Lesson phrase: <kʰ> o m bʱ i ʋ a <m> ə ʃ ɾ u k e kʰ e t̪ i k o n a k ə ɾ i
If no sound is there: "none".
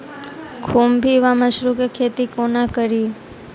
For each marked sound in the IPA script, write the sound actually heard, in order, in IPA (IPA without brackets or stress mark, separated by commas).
kʰ, m